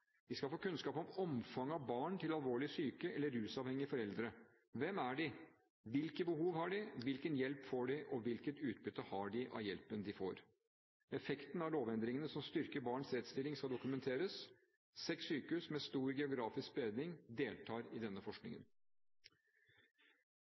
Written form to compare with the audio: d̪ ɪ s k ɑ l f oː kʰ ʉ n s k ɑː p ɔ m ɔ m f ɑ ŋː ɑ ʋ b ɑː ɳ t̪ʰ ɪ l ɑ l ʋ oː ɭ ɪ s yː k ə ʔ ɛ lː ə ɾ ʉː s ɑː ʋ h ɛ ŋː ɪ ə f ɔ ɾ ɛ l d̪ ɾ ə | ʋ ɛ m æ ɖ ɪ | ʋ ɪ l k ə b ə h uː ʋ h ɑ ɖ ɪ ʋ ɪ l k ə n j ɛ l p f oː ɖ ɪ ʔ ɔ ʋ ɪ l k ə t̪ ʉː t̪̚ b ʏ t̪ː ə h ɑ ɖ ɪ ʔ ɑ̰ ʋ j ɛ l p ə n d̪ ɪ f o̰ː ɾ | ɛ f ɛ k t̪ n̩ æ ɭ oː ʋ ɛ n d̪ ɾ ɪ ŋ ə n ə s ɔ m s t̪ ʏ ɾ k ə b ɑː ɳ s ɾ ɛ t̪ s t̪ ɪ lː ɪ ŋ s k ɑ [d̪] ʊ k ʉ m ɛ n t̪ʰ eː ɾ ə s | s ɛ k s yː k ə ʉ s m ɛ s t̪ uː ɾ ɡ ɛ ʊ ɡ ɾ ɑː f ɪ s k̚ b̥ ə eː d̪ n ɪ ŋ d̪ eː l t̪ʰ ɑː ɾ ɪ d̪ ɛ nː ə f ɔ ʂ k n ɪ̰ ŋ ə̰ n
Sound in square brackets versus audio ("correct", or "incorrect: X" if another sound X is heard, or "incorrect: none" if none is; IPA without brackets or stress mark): correct